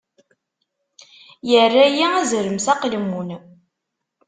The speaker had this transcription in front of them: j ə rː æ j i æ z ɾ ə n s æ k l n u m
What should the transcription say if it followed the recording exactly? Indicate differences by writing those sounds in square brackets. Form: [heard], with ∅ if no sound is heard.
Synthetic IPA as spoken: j ə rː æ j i æ z ɾ ə [m] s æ [q] l [m] u [n]